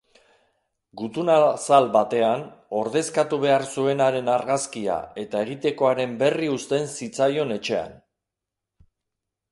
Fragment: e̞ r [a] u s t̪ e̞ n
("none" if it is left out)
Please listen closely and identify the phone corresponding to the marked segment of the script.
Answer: i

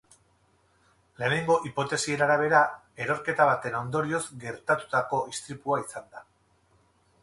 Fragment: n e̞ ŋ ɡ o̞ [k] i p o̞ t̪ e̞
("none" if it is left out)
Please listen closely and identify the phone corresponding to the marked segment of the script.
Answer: ʔ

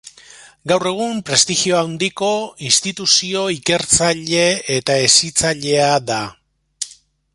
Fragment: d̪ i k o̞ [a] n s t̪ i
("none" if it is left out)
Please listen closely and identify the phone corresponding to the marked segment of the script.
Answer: i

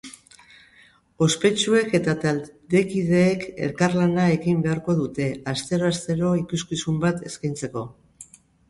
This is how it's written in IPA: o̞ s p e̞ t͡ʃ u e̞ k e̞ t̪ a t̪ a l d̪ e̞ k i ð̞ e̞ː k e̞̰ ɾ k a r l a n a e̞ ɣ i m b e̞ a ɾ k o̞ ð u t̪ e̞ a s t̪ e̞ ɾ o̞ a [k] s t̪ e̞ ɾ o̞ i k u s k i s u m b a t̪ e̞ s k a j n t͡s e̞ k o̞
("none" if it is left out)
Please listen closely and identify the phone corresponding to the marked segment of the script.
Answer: none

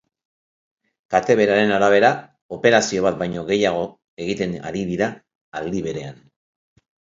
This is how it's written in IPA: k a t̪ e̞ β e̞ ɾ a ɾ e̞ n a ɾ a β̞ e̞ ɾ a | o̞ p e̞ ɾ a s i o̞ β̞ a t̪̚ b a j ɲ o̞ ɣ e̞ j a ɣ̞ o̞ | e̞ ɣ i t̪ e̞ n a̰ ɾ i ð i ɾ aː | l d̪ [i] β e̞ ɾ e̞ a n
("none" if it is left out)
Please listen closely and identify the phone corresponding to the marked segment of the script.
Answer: i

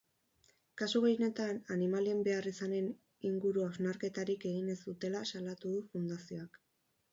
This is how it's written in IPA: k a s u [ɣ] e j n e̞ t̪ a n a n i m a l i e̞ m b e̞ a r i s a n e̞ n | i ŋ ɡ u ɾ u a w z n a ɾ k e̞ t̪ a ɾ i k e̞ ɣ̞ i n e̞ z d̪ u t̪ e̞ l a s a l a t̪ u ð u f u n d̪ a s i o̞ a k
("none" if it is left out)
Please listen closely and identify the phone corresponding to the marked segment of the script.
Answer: ɣ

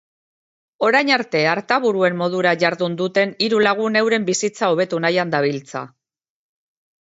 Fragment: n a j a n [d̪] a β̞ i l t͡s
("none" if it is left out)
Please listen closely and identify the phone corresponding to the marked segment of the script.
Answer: d̪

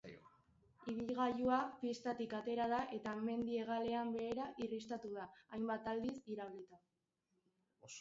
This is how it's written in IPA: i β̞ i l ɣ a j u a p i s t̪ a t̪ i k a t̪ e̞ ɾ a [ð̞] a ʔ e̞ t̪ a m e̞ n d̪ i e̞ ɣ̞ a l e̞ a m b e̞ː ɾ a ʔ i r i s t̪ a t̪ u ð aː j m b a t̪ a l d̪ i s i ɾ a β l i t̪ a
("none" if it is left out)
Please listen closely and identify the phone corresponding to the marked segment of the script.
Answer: ð̞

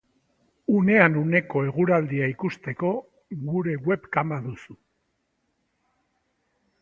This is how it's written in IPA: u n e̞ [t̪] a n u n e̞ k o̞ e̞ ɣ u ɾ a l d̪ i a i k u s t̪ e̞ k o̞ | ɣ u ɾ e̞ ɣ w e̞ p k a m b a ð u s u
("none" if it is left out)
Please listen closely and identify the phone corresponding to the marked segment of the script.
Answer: none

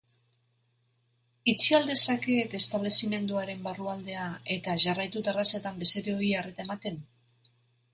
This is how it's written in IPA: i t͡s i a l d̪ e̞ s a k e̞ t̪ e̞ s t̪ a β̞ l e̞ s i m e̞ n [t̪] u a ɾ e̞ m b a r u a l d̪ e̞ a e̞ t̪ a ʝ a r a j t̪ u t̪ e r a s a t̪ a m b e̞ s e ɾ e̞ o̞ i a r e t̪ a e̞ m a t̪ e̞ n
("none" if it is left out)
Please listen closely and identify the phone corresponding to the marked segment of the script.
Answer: d̪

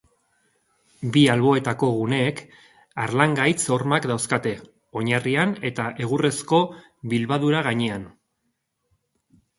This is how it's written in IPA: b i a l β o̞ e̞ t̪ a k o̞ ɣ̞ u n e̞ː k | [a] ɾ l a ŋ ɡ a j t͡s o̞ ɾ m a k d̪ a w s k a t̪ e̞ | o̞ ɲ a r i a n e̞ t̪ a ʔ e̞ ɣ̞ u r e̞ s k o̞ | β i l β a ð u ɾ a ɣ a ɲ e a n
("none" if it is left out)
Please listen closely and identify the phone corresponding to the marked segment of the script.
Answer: a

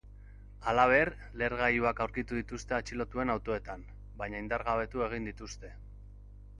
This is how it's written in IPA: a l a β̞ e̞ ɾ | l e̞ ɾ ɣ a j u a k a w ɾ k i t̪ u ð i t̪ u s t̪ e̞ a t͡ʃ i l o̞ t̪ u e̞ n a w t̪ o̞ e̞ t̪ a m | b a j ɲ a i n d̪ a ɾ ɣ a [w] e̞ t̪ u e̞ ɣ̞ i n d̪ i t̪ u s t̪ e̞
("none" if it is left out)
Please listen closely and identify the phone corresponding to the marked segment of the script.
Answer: β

